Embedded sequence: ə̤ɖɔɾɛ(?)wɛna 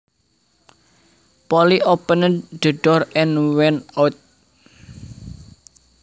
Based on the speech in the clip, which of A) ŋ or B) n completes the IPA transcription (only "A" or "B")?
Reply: B